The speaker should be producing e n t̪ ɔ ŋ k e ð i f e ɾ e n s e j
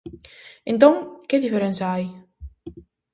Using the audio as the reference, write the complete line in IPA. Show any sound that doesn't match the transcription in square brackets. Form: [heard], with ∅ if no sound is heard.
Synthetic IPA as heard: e n t̪ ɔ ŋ k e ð i f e ɾ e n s [a] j